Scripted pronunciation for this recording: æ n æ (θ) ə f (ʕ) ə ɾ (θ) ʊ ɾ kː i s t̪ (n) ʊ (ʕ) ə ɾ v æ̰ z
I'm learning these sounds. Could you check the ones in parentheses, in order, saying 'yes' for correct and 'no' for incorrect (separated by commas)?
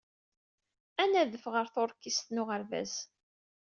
no, no, yes, yes, no